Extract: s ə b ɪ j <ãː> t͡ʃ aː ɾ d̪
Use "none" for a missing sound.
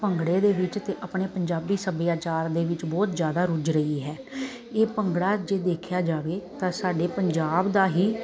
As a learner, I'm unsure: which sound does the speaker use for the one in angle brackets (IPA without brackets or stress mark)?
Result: aː